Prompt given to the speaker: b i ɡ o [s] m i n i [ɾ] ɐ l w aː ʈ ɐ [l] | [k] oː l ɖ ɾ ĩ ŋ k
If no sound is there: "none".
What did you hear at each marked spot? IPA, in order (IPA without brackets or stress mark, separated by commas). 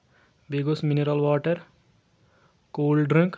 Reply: s, ɾ, ɾ, k